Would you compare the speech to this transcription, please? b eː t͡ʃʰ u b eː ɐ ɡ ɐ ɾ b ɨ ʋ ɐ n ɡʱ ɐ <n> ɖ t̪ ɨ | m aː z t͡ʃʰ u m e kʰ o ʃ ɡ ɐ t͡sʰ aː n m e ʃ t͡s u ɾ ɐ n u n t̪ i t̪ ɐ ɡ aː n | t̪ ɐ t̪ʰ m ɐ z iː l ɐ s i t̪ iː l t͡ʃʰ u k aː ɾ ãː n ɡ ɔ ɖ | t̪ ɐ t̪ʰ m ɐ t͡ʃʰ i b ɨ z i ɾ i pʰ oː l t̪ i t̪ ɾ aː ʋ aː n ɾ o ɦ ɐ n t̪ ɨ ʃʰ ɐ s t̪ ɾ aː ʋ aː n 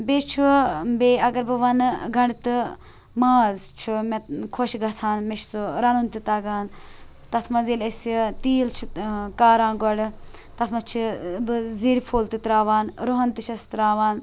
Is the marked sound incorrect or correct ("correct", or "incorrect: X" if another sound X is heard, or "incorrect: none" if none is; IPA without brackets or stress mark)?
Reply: incorrect: ɳ